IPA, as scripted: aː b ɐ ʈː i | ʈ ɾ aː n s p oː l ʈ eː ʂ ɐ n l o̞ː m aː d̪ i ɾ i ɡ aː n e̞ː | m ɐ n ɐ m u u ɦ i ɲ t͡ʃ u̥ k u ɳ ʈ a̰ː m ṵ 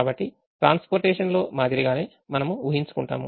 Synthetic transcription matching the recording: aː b ɐ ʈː i | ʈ ɾ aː n s p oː ɾ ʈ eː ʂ ɐ n l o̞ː m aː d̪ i ɾ i ɡ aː n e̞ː | m ɐ n ɐ m u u ɦ i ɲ t͡ʃ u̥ k u ɳ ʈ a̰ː m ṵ